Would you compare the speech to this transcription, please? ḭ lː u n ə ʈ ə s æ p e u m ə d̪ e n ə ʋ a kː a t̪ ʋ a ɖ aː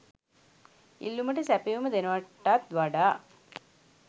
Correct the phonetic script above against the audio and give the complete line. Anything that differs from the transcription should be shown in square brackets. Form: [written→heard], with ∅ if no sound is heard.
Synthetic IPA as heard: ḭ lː u [n→m] ə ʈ ə s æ p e u m ə d̪ e n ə ʋ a [kː→ʈː] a t̪ ʋ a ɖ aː